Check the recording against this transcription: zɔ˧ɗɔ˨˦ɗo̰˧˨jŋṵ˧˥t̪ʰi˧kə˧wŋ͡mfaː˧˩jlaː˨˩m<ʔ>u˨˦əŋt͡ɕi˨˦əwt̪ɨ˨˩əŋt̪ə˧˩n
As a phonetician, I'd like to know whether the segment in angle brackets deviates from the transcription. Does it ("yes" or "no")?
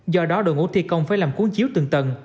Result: yes